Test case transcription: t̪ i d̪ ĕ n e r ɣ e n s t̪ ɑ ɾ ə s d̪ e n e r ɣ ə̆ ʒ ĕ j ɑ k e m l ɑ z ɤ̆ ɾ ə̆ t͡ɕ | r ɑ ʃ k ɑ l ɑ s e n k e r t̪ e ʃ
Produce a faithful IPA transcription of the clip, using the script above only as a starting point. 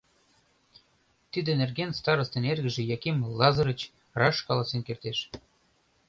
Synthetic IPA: t̪ i d̪ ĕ n e r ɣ e n s t̪ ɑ ɾ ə s t̪ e n e r ɣ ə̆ ʒ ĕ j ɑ k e m l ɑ z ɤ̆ ɾ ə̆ t͡ɕ | r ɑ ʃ k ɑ l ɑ s e n k e r t̪ e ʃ